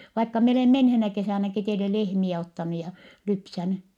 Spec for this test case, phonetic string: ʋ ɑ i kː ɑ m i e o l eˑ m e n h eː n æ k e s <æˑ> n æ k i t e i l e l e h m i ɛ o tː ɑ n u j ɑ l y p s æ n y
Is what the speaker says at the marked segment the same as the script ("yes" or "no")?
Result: yes